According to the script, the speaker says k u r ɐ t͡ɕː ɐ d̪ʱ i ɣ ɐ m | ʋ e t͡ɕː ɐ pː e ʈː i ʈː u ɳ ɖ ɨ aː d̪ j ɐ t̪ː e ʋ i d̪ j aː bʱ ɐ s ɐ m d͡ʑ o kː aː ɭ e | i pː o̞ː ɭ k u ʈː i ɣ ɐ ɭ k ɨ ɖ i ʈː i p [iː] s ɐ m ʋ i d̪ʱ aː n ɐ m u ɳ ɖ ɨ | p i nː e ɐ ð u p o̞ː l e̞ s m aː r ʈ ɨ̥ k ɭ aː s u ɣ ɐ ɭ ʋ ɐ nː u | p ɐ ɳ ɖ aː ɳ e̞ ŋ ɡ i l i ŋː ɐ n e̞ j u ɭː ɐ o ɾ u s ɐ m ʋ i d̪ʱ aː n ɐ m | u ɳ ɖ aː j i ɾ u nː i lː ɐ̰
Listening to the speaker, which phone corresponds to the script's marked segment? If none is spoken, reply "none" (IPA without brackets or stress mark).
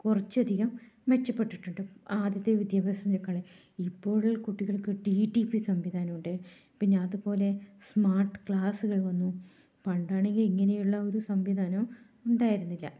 i